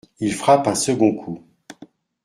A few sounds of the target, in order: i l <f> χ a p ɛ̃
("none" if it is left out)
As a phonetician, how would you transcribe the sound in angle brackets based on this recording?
f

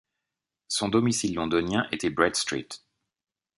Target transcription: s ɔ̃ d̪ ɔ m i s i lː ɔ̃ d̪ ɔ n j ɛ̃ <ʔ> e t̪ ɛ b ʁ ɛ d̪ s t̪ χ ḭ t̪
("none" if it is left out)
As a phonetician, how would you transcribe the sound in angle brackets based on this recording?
ʔ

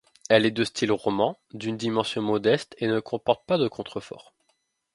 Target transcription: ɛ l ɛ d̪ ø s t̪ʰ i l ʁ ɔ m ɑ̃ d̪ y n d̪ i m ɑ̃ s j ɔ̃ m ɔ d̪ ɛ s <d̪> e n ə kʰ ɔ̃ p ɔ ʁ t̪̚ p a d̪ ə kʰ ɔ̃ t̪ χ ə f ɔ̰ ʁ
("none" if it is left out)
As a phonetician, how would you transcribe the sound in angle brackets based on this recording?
t̪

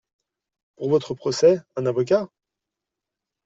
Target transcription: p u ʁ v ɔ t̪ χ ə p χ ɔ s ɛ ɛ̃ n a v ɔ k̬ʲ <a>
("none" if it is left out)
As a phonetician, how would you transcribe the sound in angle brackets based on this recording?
a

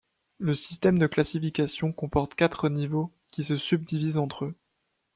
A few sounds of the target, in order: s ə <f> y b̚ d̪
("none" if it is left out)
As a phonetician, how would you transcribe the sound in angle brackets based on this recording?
s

